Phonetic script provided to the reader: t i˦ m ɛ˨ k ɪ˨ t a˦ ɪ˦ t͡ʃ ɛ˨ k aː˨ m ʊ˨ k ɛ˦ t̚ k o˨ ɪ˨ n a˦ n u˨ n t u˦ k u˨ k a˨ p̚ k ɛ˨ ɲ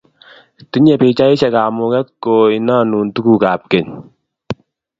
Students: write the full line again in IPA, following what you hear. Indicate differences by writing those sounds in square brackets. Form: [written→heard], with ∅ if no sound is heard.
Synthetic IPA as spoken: t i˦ [m→ɲ] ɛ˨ [k→p] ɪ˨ [t→t͡ʃ] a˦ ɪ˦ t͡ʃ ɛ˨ k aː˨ m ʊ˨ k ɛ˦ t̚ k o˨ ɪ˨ n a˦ n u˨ n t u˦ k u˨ k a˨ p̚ k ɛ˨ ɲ